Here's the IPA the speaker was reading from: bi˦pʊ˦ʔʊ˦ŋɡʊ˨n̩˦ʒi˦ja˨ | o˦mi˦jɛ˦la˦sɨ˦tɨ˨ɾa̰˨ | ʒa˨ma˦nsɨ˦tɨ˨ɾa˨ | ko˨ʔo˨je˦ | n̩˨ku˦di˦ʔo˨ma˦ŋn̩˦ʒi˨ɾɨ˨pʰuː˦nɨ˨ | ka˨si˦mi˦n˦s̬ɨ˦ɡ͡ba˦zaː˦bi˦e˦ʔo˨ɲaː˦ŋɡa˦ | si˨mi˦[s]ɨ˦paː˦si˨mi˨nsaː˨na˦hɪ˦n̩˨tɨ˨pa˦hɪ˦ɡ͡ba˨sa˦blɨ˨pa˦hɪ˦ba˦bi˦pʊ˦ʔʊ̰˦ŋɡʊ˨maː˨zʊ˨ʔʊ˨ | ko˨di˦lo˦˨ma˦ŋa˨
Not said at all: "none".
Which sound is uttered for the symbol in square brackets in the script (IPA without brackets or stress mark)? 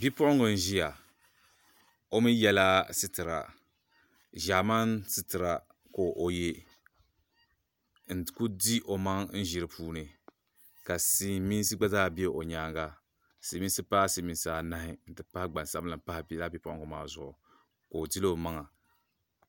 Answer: s